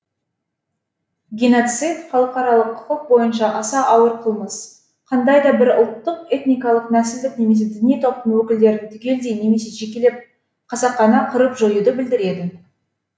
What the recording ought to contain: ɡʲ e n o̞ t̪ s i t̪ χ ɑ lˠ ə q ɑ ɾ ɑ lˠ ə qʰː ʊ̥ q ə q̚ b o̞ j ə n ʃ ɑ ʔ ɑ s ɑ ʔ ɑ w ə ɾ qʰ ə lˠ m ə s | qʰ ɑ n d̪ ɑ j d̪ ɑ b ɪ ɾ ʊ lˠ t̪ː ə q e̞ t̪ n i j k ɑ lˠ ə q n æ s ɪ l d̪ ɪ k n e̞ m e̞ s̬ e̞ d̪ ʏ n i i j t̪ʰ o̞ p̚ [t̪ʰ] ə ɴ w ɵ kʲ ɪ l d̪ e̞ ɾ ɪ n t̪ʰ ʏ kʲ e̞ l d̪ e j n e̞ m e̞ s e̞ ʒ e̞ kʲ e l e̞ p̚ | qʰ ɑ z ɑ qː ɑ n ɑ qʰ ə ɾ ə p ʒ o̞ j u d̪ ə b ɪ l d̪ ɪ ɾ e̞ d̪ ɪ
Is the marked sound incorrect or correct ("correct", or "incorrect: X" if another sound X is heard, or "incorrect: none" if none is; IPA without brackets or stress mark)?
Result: incorrect: t̪